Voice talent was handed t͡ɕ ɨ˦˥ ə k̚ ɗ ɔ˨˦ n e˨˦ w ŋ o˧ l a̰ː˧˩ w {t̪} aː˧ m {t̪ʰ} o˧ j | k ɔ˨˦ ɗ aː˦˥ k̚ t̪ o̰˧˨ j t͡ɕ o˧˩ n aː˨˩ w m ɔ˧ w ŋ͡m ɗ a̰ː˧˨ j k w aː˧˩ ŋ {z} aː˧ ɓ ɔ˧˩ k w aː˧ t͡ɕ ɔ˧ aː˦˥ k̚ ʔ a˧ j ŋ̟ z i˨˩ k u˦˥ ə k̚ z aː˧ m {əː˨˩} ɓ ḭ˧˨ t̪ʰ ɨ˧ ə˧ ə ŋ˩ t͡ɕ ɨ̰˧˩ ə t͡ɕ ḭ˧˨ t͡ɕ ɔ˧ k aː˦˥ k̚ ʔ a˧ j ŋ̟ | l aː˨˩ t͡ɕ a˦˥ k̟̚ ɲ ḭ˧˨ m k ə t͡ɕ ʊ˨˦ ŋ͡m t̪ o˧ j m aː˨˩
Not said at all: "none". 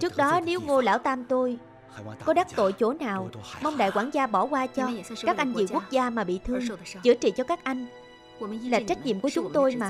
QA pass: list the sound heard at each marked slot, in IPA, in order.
t̪, t̪, z, aː˨˩

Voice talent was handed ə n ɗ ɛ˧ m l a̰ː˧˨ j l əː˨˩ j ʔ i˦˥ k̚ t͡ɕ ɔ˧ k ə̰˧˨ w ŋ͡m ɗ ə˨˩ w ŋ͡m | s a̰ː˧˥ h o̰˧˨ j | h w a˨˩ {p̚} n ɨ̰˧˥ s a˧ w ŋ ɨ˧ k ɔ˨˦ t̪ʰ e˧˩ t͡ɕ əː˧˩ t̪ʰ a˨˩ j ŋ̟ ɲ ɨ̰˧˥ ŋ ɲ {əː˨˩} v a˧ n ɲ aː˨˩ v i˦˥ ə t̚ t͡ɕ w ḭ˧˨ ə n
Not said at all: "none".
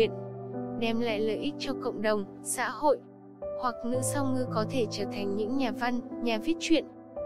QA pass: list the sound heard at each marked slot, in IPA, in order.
k̚, aː˨˩

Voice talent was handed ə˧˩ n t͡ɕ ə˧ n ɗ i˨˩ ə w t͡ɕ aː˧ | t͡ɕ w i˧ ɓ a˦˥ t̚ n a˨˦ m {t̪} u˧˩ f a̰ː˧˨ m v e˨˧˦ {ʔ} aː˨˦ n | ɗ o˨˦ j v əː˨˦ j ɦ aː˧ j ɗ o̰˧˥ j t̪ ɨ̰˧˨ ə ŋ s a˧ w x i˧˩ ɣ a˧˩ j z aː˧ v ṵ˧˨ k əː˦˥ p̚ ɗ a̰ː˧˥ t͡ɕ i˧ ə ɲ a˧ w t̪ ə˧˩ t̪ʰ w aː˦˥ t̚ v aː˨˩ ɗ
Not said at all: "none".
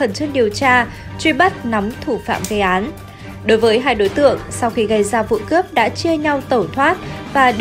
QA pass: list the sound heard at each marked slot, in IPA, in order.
t̪ʰ, ʔ

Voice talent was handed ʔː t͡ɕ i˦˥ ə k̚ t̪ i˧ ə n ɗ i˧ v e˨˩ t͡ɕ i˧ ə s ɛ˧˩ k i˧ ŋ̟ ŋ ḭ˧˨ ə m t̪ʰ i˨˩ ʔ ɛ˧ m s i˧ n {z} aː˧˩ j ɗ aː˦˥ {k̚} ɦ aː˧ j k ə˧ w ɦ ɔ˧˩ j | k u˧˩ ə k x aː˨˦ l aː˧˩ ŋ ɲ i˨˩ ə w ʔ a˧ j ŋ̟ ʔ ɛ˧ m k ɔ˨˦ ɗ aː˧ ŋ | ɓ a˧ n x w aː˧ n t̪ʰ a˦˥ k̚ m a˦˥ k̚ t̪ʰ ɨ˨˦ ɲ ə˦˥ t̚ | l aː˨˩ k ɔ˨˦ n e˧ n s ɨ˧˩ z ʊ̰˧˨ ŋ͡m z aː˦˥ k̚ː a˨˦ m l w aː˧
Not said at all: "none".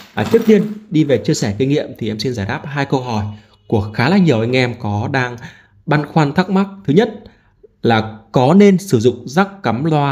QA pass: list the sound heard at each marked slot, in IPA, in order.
z, p̚

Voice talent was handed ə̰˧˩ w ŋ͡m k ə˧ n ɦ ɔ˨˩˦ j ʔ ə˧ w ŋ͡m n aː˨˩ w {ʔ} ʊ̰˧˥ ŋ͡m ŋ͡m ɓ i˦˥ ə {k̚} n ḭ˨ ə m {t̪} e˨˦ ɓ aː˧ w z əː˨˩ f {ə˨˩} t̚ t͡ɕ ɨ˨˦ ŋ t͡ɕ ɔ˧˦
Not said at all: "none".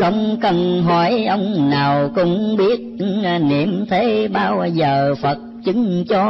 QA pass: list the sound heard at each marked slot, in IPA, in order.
k, t̚, t̪ʰ, ə˨˩

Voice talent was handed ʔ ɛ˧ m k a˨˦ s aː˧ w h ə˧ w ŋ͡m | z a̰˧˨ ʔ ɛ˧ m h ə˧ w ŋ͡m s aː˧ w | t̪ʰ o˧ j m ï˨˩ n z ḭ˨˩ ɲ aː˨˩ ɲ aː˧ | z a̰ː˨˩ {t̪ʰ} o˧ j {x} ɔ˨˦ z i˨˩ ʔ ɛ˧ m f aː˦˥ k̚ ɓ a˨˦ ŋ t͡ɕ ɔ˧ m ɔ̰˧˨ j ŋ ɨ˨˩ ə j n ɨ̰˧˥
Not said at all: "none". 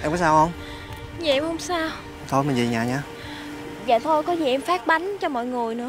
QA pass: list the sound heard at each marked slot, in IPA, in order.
t̪ʰ, k

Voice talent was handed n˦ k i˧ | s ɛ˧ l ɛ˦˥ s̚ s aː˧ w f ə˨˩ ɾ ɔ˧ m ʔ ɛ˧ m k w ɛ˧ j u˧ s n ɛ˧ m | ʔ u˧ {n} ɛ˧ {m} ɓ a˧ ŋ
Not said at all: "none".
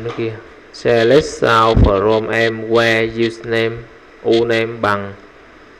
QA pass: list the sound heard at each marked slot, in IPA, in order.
n, m

